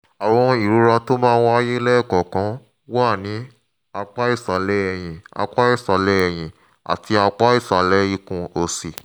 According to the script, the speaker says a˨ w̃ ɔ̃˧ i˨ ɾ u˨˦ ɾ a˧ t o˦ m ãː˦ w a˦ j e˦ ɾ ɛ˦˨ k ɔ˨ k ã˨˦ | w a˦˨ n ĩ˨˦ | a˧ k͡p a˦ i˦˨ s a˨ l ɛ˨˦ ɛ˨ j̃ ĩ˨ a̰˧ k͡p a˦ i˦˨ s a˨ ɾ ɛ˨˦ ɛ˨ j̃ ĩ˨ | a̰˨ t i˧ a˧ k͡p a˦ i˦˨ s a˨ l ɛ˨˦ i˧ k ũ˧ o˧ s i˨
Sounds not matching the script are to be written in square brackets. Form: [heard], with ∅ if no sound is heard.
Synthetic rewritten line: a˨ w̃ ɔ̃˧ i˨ ɾ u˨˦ ɾ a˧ t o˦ m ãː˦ w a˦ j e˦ [l] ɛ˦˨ k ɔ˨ k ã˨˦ | w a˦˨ n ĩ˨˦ | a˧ k͡p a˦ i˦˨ s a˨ l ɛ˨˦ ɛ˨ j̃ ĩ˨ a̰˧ k͡p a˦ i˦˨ s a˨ [l] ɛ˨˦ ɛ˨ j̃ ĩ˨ | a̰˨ t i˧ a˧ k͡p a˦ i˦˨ s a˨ l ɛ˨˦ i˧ k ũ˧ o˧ s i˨